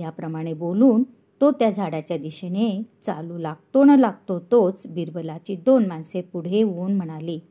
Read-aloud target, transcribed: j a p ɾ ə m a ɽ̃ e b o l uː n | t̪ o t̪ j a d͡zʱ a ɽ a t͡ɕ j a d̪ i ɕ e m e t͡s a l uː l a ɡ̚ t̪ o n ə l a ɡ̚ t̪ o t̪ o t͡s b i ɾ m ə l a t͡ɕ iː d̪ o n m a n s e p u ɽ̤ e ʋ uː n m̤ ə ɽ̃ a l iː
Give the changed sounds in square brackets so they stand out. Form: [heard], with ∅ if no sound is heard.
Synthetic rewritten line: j a p ɾ ə m a ɽ̃ e b o l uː n | t̪ o t̪ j a d͡zʱ a ɽ a t͡ɕ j a d̪ i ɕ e [n] e t͡s a l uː l a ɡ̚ t̪ o n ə l a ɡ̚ t̪ o t̪ o t͡s b i ɾ [b] ə l a t͡ɕ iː d̪ o n m a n s e p u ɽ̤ e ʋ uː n m̤ ə ɽ̃ a l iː